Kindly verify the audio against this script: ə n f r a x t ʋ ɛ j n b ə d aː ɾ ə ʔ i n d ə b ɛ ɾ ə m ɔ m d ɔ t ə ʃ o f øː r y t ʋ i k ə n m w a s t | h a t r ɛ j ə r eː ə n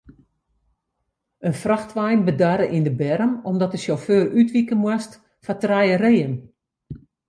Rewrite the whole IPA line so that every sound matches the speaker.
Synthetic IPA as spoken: ə n f r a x t ʋ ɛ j n b ə d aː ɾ ə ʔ i n d ə b ɛ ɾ ə m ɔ m d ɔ t ə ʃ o f øː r y t ʋ i k ə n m w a s t | f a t r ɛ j ə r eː ə n